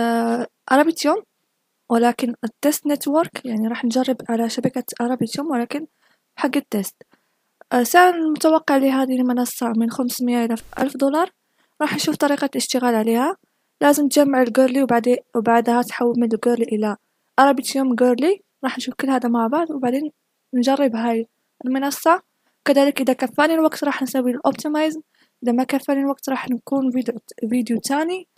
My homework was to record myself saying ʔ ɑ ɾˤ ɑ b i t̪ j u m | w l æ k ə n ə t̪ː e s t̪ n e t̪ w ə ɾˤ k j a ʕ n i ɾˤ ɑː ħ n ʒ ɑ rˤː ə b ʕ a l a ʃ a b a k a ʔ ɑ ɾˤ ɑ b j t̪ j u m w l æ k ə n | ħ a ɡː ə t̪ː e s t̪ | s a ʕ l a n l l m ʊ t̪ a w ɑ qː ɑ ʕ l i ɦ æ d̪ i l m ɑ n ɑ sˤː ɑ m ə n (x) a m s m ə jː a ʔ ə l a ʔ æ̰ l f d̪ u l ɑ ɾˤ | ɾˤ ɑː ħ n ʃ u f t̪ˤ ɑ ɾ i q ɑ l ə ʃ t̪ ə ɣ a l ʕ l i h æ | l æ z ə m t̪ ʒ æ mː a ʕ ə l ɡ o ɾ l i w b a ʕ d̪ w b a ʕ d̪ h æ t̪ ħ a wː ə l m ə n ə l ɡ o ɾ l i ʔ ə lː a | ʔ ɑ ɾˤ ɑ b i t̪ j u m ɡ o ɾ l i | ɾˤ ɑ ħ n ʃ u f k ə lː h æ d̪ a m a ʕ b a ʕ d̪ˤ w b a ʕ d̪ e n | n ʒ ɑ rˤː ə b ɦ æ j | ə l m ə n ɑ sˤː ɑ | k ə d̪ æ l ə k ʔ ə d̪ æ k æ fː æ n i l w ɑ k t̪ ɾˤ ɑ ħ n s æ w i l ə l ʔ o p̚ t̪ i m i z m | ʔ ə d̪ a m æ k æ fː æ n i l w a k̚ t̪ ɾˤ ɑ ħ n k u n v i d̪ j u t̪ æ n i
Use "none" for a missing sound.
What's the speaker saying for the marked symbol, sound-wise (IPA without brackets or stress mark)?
x